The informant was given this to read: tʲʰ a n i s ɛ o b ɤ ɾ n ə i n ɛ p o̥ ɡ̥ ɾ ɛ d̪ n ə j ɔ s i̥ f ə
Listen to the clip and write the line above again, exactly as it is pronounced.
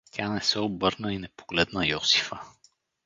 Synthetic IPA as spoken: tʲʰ a n ɛ s ɛ o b ɤ ɾ n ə i n ɛ p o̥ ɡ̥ l ɛ d̪ n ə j ɔ s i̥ f ə